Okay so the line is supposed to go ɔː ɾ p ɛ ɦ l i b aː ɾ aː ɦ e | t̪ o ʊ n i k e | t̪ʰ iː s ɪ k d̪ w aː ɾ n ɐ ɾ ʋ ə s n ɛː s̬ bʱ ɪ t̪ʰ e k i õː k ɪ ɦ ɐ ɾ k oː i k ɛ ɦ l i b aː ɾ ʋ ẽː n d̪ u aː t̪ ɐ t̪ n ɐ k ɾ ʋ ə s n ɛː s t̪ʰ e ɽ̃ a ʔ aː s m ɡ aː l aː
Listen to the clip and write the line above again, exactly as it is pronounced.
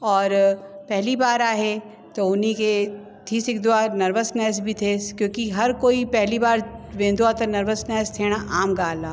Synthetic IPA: ɔː ɾ p ɛ ɦ l i b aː ɾ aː ɦ e | t̪ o ʊ n i k e | t̪ʰ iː s ɪ k d̪ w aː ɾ n ɐ ɾ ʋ ə s n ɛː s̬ bʱ i t̪ʰ e k j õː k i ɦ ɐ ɾ k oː i p ɛ ɦ l i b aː ɾ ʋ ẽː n d̪ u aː t̪ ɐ n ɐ ɾ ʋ ə s n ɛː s t̪ʰ e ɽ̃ a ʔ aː m ɡ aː l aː